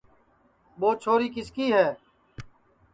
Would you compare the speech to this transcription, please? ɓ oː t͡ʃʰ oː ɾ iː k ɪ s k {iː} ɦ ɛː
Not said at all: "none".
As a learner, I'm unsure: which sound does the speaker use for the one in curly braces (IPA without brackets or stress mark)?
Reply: iː